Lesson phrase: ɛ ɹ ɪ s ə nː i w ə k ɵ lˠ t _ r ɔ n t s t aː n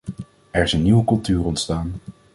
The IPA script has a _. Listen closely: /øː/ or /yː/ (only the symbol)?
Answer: yː